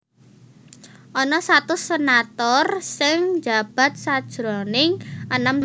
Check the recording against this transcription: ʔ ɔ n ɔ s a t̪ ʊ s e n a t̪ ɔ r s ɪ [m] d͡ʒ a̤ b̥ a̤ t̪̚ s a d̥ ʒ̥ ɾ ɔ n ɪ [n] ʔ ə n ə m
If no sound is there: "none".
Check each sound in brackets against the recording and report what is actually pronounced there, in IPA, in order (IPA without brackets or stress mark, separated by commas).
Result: ŋ, ŋ